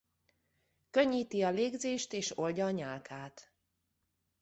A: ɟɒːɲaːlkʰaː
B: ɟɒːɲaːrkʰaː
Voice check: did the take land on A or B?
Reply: A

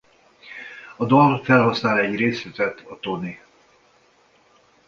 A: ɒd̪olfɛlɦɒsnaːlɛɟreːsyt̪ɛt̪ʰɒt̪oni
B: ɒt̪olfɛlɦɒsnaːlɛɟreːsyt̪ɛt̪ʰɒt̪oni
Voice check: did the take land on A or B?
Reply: A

